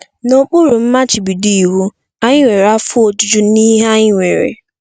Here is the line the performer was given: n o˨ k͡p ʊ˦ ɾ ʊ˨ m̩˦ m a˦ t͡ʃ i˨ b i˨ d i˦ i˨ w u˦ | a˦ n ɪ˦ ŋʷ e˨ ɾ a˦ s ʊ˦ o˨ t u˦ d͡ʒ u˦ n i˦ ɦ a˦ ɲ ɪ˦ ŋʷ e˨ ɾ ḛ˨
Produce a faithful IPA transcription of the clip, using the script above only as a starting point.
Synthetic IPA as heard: n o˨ k͡p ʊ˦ ɾ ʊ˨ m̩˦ m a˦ t͡ʃ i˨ b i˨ d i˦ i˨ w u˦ | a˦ ɲ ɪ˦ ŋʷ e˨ ɾ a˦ f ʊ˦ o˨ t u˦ d͡ʒ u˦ n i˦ ɦ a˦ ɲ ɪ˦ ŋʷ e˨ ɾ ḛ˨